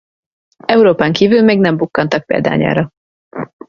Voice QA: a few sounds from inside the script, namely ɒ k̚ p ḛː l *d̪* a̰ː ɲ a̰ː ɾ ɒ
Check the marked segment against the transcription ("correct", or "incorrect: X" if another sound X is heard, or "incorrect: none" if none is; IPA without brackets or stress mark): correct